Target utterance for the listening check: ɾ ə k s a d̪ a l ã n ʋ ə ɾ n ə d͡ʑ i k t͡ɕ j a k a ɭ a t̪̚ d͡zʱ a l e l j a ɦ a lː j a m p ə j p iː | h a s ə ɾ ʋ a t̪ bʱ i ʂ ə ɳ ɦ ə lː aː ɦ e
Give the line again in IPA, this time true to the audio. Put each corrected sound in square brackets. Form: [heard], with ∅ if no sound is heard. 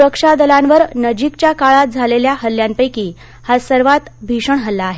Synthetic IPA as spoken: ɾ ə k [ʂ] a d̪ [ə] l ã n ʋ ə ɾ n ə d͡ʑ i k t͡ɕ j a k a ɭ a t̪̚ d͡zʱ a l e l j a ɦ [ə] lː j a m p ə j [k] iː | h a s ə ɾ ʋ a t̪ bʱ i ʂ ə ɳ ɦ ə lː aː ɦ e

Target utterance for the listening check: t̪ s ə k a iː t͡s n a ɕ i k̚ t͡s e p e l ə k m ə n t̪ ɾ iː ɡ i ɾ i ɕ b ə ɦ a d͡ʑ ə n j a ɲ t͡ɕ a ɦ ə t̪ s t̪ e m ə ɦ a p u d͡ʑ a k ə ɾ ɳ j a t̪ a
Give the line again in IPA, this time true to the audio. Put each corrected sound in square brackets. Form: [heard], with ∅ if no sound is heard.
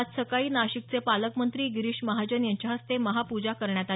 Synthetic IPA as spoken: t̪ s ə k a iː [∅] n a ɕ i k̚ t͡s e p [a] l ə k m ə n t̪ ɾ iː ɡ i ɾ i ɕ [m] ə ɦ a d͡ʑ ə n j a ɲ t͡ɕ a ɦ ə [∅] s t̪ e m ə ɦ a p u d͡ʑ a k ə ɾ ɳ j a t̪ a

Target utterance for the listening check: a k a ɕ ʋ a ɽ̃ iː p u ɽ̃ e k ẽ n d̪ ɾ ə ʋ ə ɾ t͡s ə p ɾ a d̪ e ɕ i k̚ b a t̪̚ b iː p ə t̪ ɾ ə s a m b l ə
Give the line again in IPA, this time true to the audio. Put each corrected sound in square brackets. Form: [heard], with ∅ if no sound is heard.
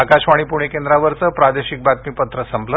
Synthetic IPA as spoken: a k a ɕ ʋ a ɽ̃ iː p u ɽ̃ e k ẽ n d̪ ɾ [a] ʋ ə ɾ t͡s ə p ɾ a d̪ e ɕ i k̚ b a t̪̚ [m] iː p ə t̪ ɾ ə s [ə] m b l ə

